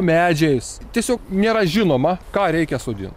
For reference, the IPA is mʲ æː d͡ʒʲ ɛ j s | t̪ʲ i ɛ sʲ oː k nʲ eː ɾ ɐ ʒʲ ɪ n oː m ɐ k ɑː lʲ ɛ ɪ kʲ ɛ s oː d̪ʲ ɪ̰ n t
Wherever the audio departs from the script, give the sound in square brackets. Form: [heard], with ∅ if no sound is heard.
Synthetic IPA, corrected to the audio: mʲ æː d͡ʒʲ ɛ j s | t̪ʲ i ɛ sʲ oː k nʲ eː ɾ ɐ ʒʲ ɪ n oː m ɐ k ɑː [ɾʲ] ɛ ɪ kʲ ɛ s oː d̪ʲ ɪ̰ n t